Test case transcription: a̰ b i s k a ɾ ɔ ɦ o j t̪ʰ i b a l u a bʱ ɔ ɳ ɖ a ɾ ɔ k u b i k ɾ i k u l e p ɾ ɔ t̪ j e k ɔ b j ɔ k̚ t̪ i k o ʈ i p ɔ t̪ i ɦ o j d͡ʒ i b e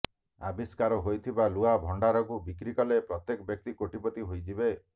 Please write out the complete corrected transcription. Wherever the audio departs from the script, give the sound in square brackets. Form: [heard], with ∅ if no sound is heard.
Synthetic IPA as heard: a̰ b i s k a ɾ ɔ ɦ o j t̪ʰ i b a l u a bʱ ɔ ɳ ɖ a ɾ ɔ k u b i k ɾ i k [ɔ] l e p ɾ ɔ t̪ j e k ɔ b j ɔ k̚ t̪ i k o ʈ i p ɔ t̪ i ɦ o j d͡ʒ i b e